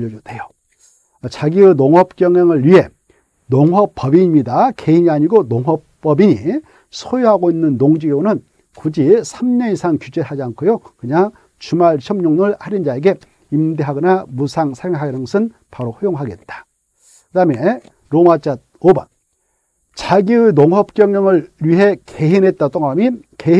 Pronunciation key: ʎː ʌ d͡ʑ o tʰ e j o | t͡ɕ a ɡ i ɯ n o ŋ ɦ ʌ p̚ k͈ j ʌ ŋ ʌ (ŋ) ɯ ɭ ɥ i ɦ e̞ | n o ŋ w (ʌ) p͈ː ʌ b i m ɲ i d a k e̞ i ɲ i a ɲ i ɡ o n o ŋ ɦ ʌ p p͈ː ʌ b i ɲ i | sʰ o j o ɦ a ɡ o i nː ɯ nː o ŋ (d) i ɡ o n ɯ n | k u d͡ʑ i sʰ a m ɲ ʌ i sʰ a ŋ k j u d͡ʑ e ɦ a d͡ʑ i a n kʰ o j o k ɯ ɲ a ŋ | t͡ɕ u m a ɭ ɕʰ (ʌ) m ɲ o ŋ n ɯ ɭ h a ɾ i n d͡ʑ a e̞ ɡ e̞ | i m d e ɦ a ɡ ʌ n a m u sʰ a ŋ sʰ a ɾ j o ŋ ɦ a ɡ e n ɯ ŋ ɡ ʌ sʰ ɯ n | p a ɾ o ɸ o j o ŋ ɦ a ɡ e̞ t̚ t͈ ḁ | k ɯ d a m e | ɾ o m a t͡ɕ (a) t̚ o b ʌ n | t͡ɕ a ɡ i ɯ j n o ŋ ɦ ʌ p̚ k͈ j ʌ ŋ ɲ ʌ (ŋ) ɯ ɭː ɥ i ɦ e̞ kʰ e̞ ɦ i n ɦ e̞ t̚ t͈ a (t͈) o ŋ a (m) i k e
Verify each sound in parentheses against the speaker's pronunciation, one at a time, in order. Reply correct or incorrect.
correct, correct, incorrect, correct, correct, correct, correct, correct

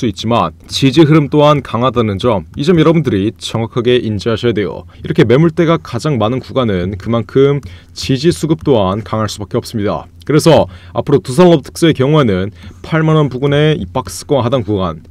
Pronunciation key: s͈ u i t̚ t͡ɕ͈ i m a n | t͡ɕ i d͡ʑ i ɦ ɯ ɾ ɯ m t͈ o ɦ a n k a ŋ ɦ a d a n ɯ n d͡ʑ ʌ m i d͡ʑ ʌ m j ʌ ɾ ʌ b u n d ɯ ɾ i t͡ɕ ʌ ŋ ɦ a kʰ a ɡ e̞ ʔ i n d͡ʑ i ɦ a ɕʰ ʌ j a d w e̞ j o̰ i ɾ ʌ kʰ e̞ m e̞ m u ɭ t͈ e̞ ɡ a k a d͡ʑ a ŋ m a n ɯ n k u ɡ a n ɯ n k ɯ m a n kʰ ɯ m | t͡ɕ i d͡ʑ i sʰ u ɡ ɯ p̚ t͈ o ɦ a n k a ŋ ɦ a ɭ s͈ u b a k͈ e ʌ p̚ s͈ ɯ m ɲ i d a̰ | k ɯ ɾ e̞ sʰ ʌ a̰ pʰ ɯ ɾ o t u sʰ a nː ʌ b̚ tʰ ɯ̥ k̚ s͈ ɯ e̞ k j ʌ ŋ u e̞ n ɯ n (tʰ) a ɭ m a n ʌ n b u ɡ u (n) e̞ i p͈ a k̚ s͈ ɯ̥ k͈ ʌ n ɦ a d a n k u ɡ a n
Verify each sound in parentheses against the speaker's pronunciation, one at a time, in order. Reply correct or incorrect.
incorrect, correct

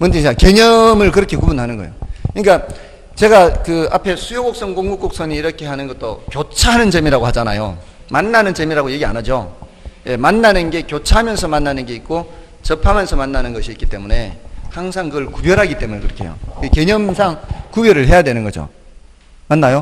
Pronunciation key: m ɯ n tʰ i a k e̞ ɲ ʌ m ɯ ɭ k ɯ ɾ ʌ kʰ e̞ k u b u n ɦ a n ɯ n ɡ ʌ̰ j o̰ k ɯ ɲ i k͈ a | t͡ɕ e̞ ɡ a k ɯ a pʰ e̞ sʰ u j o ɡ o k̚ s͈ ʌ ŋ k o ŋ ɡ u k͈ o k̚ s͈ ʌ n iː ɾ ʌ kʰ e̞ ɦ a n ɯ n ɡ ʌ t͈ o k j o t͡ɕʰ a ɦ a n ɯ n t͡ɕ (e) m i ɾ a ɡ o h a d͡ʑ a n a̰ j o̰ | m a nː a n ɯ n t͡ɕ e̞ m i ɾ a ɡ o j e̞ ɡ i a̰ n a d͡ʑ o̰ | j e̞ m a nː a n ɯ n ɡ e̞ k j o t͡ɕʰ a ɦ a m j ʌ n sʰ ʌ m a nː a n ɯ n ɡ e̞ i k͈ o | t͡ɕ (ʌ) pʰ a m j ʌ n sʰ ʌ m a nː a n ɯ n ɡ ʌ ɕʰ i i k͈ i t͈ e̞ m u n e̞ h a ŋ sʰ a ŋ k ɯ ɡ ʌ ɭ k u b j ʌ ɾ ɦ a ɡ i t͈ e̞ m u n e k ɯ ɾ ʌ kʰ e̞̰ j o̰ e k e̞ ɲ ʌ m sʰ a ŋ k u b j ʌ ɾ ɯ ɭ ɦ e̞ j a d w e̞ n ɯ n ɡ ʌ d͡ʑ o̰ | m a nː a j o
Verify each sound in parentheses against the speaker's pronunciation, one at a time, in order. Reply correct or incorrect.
correct, correct

